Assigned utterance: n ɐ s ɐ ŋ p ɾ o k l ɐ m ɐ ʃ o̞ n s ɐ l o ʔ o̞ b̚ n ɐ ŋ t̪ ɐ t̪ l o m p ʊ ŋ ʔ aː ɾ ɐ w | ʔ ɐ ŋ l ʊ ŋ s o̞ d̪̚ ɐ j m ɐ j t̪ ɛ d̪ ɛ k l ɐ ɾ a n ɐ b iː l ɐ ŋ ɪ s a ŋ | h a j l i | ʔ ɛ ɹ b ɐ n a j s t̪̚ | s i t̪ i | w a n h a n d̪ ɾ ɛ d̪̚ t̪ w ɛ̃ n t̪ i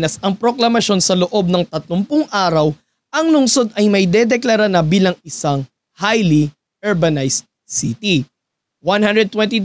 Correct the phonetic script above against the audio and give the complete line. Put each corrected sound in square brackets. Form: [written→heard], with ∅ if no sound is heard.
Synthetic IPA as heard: n ɐ s ɐ ŋ p ɾ o k l ɐ m ɐ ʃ o̞ n s ɐ l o ʔ o̞ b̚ n ɐ ŋ t̪ ɐ t̪ l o m p ʊ ŋ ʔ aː ɾ ɐ w | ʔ ɐ ŋ l ʊ ŋ s o̞ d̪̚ ɐ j m ɐ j [t̪→d̪] ɛ d̪ ɛ k l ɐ ɾ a n ɐ b iː l ɐ ŋ ɪ s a ŋ | h a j l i | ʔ ɛ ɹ b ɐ n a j s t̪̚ | s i t̪ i | w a n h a n d̪ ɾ ɛ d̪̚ t̪ w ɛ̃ n t̪ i